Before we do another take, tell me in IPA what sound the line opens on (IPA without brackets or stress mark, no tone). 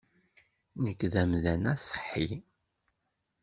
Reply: n